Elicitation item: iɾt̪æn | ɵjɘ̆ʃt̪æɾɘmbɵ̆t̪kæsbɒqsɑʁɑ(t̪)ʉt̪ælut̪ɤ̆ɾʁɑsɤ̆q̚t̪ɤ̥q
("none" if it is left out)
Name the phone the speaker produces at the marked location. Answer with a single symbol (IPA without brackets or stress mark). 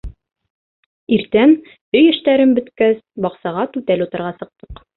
t̪